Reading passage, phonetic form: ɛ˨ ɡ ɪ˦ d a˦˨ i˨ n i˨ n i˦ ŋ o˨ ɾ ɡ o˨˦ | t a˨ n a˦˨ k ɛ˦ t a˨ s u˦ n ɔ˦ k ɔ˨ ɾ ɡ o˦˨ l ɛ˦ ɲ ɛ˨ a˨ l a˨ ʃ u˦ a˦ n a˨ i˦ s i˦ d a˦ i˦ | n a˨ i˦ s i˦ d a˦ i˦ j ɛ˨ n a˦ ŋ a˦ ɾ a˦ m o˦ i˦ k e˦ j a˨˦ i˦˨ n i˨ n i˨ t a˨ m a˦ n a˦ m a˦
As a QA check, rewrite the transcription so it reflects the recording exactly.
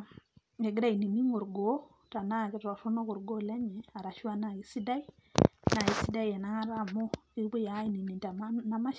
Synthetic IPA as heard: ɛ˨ ɡ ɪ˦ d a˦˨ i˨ n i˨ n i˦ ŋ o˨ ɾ ɡ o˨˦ | t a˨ n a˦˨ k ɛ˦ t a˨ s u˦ n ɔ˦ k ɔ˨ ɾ ɡ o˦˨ l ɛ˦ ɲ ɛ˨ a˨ ɾ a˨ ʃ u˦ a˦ n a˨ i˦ s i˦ d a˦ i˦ | n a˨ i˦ s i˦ d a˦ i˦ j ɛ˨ n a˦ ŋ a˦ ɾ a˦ m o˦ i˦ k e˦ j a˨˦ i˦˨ n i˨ n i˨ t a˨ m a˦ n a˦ m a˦